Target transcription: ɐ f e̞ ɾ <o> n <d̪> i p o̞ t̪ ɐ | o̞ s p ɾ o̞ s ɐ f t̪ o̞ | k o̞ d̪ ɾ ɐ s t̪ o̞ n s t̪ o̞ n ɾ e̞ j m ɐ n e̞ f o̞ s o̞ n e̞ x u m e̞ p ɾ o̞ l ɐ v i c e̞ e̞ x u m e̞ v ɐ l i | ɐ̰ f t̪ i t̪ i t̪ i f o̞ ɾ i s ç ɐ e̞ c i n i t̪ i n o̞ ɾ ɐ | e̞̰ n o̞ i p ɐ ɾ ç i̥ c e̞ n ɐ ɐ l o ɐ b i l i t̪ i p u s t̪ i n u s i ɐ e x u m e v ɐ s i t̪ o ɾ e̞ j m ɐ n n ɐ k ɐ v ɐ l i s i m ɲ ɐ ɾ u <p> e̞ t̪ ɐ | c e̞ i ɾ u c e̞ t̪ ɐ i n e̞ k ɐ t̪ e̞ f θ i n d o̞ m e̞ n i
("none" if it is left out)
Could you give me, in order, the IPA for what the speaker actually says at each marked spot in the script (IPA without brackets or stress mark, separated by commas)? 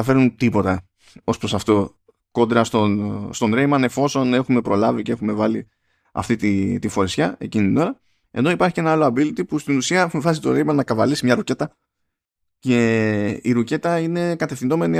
u, t̪, c